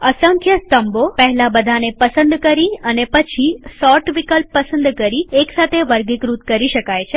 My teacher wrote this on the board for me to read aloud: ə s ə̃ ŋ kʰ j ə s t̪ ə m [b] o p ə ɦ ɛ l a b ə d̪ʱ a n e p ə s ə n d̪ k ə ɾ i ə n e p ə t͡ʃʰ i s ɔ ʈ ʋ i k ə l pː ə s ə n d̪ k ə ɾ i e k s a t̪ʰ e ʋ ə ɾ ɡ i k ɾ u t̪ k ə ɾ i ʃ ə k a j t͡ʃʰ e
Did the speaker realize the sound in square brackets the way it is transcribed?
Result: yes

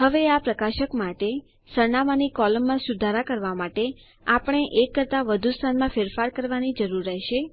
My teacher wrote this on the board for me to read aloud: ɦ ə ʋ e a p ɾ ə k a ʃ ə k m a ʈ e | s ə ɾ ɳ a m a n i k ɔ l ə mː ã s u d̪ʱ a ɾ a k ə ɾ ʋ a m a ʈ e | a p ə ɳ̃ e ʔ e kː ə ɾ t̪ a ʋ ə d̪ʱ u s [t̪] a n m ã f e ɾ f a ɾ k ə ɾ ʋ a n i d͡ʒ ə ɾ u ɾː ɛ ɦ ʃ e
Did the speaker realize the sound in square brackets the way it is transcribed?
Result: no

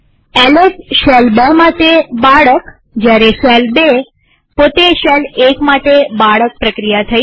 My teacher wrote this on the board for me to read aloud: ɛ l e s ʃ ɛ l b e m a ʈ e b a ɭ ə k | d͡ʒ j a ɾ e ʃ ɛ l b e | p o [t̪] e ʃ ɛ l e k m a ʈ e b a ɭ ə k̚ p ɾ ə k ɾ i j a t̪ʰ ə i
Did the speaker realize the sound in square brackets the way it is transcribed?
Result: yes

